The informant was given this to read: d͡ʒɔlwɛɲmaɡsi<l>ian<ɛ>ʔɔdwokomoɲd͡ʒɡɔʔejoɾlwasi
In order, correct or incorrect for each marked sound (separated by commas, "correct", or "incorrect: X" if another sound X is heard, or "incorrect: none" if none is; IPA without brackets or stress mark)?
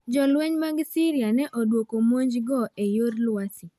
incorrect: ɾ, correct